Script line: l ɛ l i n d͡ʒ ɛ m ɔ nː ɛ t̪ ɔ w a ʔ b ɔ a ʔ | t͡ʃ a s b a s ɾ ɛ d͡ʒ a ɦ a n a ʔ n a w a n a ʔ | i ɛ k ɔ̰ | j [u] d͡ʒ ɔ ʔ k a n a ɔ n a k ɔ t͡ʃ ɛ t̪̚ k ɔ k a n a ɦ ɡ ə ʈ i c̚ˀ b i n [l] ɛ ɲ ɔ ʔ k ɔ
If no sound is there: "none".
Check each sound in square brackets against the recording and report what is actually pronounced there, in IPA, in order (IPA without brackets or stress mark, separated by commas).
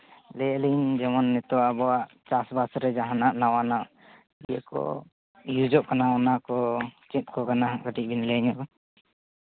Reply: u, l